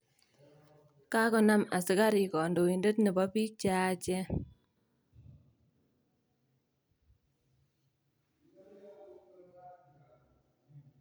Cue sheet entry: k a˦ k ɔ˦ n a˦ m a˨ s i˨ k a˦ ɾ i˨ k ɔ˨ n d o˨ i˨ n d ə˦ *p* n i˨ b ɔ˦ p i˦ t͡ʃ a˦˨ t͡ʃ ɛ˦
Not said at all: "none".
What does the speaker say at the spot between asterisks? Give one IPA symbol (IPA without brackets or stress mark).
t